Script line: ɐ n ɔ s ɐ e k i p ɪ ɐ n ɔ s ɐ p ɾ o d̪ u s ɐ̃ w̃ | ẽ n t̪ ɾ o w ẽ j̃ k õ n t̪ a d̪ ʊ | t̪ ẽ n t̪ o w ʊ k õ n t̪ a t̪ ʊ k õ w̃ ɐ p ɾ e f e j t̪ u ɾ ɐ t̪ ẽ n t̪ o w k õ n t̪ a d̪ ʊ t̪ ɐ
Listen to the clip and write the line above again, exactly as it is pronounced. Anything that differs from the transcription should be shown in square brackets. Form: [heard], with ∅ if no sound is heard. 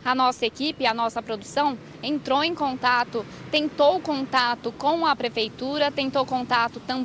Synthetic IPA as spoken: ɐ n ɔ s ɐ e k i p ɪ ɐ n ɔ s ɐ p ɾ o d̪ u s ɐ̃ w̃ | ẽ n t̪ ɾ o w ẽ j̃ k õ n t̪ a [t̪] ʊ | t̪ ẽ n t̪ o w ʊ k õ n t̪ a t̪ ʊ k õ w̃ ɐ p ɾ e f e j t̪ u ɾ ɐ t̪ ẽ n t̪ o w k õ n t̪ a [t̪] ʊ t̪ [ɐ̃]